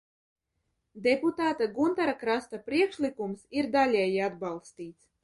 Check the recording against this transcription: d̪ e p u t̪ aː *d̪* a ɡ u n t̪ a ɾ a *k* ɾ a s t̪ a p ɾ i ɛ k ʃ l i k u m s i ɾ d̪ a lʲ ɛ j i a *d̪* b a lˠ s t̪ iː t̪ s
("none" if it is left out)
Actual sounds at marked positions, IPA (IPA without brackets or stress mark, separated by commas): t̪, k, d̪